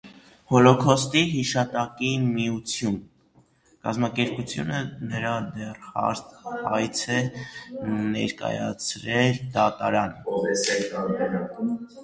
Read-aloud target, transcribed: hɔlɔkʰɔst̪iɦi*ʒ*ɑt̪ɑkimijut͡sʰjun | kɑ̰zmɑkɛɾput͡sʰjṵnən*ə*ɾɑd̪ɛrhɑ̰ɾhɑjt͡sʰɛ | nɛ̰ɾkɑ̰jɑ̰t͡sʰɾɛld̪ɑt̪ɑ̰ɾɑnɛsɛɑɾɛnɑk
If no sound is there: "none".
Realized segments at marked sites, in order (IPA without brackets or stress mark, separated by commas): ʃ, ə